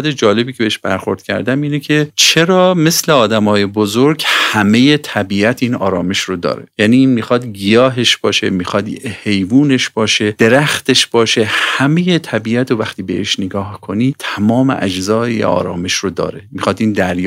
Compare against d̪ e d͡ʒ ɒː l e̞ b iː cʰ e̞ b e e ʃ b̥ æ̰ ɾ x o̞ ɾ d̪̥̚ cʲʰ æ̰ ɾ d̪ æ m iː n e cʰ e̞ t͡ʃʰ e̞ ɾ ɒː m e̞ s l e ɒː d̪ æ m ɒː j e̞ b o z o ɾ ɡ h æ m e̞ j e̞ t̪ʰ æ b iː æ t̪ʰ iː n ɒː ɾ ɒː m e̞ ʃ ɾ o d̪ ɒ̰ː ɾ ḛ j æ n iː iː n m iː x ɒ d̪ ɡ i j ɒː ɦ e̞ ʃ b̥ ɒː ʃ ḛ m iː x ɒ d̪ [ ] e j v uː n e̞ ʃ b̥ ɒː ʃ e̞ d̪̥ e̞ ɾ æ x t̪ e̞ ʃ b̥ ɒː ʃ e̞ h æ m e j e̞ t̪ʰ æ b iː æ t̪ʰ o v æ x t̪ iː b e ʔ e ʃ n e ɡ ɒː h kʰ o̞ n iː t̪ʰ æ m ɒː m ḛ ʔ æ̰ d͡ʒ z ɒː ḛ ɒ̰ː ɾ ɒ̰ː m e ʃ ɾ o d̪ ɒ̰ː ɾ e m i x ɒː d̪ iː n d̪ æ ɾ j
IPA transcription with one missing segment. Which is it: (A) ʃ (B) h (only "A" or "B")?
B